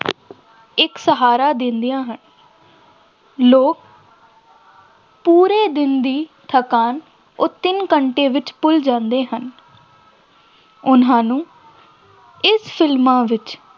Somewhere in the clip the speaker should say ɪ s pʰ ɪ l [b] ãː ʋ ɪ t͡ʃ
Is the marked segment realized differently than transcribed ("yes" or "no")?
yes